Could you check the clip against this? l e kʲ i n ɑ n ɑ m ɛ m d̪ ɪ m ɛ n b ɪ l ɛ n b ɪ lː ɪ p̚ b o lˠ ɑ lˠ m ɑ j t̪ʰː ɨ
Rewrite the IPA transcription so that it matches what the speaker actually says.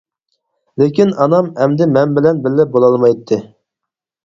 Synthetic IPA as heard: l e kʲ i n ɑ n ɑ m ɛ m d̪ ɪ m ɛ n b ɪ l ɛ n b ɪ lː ɪ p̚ b o lˠ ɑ lˠ m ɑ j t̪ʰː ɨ